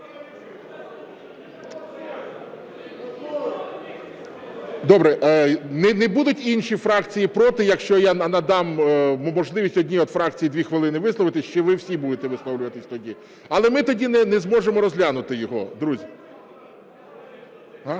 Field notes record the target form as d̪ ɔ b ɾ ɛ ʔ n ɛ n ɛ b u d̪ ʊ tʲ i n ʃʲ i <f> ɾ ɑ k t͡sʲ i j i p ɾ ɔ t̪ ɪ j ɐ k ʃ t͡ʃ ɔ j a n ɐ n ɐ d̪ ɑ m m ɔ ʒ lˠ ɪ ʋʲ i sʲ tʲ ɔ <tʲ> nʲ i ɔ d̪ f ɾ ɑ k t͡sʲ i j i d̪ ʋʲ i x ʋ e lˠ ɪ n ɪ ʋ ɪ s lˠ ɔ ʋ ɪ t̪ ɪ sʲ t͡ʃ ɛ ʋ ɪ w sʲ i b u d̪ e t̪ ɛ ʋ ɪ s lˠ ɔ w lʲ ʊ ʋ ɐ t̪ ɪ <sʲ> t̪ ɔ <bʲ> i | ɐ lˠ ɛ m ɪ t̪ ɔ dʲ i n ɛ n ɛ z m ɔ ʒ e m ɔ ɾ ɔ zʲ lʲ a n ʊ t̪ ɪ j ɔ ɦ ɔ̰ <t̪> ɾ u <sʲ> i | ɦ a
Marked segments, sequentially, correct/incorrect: correct, incorrect, correct, incorrect, incorrect, incorrect

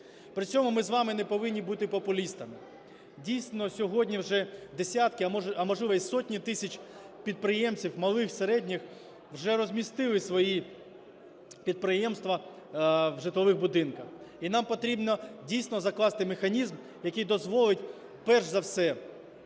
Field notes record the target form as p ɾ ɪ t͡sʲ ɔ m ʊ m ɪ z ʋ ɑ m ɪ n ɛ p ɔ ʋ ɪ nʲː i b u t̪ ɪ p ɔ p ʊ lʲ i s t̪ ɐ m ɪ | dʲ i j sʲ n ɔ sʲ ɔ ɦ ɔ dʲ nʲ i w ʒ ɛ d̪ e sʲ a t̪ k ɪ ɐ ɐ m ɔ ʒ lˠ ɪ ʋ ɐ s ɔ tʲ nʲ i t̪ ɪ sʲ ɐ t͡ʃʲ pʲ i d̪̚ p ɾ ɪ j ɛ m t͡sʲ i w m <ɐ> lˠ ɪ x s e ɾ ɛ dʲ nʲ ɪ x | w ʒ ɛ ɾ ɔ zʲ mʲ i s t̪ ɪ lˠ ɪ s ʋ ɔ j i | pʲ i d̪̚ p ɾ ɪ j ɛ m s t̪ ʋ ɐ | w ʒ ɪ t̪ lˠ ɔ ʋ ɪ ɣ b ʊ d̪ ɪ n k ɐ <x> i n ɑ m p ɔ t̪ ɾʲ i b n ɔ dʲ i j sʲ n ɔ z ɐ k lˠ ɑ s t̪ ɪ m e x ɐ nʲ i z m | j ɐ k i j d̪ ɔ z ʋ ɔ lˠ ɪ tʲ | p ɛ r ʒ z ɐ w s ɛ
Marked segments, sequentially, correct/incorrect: correct, correct

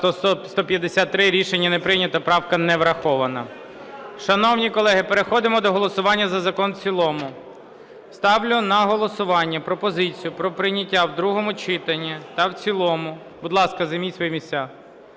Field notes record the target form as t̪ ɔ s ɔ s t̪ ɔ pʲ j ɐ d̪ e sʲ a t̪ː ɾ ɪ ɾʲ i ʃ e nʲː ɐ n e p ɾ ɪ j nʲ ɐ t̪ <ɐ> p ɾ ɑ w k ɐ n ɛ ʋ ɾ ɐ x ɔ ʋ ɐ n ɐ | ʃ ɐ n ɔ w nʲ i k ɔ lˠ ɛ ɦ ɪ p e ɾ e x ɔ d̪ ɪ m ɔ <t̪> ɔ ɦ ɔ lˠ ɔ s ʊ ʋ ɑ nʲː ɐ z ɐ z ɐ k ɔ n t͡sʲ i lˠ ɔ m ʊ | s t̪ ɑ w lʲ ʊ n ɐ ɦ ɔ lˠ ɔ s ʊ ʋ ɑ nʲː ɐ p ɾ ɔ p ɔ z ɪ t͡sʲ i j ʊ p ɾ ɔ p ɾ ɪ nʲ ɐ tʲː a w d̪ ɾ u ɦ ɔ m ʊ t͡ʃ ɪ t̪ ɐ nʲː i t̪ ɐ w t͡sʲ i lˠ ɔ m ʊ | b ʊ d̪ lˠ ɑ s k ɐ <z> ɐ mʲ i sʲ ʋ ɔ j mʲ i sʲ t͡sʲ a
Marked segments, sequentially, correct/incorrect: correct, incorrect, correct

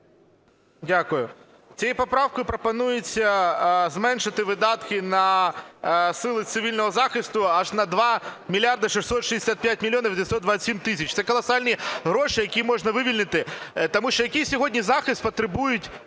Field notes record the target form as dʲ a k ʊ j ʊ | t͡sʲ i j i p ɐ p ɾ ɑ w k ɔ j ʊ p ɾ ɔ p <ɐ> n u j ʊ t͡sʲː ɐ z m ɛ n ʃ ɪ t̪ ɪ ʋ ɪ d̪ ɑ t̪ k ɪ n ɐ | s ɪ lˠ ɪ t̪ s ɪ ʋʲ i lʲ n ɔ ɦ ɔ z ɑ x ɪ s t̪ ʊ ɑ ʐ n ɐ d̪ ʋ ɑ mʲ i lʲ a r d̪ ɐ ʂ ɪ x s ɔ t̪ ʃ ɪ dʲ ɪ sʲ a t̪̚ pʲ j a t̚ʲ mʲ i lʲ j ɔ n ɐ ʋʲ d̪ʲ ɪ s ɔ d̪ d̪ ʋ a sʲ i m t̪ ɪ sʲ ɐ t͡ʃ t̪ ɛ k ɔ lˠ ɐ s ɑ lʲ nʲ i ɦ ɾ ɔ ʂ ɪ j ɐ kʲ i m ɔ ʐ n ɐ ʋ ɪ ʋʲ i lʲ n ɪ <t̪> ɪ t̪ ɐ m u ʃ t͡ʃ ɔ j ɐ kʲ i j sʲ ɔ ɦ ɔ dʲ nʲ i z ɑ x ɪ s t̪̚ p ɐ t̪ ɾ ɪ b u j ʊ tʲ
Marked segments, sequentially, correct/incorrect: correct, correct

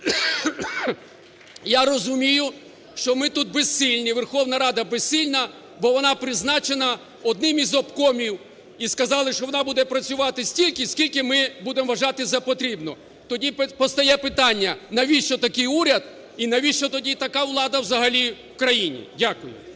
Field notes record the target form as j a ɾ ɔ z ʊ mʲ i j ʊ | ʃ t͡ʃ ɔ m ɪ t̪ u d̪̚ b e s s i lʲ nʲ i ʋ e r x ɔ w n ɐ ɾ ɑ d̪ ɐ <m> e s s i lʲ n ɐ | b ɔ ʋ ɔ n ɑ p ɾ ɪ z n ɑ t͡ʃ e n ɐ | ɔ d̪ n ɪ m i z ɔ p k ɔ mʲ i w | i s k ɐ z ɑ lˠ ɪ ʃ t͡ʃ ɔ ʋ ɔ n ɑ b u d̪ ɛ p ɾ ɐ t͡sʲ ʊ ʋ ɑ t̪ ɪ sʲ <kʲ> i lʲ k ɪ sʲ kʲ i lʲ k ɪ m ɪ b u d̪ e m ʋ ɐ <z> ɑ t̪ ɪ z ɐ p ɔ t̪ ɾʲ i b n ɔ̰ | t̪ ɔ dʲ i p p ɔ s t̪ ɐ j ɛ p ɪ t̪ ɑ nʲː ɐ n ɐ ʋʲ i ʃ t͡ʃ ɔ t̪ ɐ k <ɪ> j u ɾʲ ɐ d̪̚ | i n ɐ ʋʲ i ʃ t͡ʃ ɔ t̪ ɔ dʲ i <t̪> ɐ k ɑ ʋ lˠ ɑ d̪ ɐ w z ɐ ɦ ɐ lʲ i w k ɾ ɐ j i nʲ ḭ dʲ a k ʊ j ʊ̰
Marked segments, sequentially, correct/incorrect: incorrect, incorrect, incorrect, correct, correct

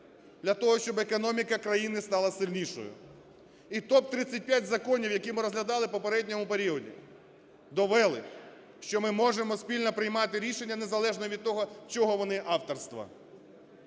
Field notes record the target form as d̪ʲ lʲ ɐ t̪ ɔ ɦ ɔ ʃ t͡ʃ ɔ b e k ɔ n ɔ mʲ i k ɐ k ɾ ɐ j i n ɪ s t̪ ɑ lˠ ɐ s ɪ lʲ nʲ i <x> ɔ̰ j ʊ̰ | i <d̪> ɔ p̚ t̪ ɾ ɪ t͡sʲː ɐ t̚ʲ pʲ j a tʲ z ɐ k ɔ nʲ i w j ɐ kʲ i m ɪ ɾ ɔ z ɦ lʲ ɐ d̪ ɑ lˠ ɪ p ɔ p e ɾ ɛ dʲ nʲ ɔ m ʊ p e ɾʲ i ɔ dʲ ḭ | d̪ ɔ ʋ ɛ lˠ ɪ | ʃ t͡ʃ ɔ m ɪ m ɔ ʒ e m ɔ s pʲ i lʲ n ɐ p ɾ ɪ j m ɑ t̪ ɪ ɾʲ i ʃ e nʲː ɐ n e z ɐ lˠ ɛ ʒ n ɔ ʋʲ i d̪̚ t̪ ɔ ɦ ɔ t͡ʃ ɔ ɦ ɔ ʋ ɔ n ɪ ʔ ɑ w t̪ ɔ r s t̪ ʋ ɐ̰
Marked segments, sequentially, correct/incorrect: incorrect, incorrect

